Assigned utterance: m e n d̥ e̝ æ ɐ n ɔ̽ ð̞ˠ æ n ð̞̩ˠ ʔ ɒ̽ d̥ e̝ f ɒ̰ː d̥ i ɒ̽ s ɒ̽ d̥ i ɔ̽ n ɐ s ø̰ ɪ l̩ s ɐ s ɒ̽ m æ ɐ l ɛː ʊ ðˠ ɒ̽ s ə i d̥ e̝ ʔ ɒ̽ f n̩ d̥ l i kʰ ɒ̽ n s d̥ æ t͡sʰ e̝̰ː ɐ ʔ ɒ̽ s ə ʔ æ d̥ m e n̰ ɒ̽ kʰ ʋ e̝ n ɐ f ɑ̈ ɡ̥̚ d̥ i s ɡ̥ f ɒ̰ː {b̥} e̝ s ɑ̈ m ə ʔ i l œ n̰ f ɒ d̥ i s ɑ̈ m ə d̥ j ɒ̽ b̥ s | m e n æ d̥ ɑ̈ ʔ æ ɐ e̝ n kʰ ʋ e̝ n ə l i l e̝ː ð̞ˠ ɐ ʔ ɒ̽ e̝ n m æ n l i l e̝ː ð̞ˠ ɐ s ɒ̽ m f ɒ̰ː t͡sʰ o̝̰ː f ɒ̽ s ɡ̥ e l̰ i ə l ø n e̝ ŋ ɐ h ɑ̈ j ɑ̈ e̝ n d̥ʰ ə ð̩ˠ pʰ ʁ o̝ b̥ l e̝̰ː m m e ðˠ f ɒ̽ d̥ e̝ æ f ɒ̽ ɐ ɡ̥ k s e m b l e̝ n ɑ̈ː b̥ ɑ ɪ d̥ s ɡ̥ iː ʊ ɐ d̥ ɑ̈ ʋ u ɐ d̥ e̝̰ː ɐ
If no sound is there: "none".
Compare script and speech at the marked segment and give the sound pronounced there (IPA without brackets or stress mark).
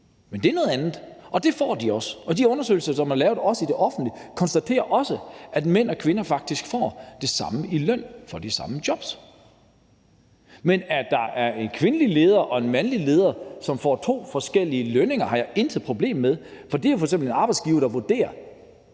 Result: d̥